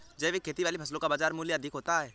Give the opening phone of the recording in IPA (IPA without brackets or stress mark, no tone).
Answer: d͡ʒ